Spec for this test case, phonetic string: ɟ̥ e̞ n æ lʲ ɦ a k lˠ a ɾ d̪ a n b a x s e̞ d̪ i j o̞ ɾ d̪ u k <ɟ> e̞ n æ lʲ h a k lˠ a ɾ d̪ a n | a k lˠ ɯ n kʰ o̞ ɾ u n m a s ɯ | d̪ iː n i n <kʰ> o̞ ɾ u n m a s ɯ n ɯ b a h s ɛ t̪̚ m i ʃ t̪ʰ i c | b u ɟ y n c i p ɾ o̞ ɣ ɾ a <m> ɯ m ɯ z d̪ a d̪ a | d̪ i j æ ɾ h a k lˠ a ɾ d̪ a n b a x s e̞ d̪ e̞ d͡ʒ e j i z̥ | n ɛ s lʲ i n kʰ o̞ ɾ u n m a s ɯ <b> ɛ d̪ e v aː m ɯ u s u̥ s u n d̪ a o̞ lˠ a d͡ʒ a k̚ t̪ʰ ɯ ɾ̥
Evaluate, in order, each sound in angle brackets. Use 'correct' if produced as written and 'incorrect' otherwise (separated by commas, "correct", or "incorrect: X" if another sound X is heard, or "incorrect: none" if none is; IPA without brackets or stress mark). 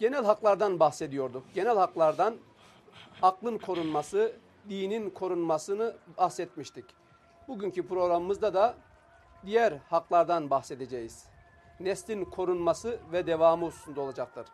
correct, correct, correct, incorrect: v